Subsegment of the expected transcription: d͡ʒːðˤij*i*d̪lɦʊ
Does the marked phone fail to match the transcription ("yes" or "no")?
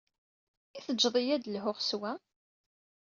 yes